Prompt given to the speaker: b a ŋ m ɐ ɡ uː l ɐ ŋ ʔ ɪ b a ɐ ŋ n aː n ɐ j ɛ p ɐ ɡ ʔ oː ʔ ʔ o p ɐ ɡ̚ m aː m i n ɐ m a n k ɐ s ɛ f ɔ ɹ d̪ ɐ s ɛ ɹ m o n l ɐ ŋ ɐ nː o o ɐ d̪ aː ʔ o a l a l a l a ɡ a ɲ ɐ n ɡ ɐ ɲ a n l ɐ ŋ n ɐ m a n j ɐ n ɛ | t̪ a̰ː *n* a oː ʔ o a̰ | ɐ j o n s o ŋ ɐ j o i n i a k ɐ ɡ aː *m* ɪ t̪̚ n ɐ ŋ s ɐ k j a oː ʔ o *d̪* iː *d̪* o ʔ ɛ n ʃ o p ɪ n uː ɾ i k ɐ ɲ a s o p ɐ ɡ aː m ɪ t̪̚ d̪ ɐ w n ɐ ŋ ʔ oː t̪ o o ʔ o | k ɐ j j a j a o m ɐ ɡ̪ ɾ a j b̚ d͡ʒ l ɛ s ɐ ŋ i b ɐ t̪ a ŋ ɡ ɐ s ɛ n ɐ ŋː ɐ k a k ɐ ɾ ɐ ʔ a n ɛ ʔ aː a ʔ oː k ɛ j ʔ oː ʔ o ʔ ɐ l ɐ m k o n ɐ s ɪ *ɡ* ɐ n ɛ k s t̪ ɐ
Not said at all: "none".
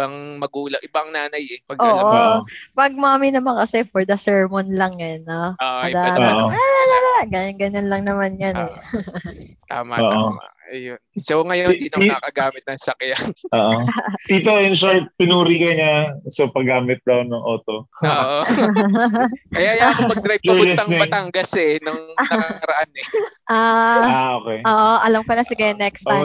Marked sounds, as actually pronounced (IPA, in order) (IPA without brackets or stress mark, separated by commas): m, m, t̪, t̪, ɡ